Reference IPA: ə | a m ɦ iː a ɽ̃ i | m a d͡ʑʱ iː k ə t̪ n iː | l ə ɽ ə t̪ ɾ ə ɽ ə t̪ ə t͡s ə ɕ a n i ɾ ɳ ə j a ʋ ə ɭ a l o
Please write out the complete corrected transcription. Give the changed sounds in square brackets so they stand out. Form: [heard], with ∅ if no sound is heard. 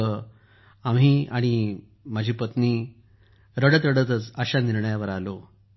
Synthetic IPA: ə | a m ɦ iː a ɽ̃ i | m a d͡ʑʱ iː [p] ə t̪ n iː | [ɾ] ə ɽ ə t̪ ɾ ə ɽ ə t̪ ə t͡s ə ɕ a n i ɾ ɳ ə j a ʋ ə [ɾ] a l o